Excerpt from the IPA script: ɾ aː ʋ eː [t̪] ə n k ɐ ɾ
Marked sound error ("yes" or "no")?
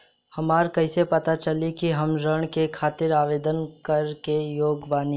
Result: yes